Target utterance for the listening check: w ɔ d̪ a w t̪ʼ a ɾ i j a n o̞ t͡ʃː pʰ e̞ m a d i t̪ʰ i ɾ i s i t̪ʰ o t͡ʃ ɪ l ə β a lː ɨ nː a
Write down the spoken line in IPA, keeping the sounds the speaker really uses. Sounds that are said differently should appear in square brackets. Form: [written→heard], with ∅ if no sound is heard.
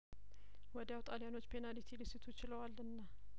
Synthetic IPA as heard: w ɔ d̪ a w t̪ʼ a [ɾ→l] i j a n o̞ t͡ʃː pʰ e̞ [m→n] a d i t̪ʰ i [ɾ→l] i s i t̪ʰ [o→u] t͡ʃ ɪ l ə [β→w] a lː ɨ nː a